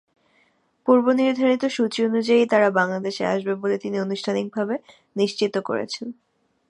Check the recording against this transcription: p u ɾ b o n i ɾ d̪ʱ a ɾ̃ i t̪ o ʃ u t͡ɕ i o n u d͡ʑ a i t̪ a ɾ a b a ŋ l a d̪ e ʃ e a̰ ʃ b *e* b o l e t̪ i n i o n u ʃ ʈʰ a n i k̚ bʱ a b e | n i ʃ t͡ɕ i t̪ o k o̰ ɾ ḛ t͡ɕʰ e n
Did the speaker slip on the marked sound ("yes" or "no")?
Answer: no